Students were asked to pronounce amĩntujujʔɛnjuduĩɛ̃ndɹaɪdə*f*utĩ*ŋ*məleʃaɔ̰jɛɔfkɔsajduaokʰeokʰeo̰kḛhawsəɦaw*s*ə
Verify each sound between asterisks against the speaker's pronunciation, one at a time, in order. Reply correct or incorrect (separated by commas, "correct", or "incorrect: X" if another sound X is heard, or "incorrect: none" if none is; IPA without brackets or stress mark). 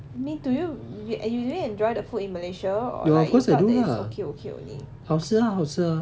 correct, incorrect: n, correct